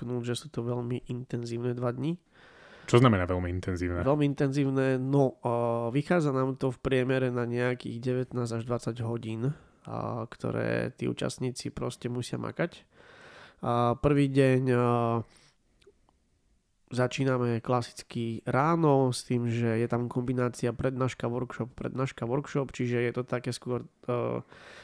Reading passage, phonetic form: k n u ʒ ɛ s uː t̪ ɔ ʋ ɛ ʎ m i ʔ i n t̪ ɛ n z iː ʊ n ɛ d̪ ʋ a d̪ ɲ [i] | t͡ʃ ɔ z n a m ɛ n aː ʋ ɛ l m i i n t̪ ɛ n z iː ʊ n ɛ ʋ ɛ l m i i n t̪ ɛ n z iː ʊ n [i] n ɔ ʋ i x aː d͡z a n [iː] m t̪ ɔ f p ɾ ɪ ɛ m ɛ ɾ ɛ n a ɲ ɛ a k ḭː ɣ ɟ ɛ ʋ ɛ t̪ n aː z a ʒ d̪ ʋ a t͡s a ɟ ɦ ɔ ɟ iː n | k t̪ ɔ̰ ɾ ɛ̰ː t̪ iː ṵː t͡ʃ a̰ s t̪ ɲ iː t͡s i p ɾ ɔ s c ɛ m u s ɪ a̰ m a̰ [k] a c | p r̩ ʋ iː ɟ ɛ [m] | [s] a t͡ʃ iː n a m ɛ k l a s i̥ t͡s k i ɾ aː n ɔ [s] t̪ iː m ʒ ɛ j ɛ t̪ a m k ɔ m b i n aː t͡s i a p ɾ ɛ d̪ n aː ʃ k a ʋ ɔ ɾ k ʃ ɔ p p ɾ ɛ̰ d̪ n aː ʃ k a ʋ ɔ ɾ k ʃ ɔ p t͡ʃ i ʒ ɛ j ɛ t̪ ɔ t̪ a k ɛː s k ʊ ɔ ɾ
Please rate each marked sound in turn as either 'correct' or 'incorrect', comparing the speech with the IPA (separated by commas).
correct, incorrect, incorrect, correct, incorrect, incorrect, correct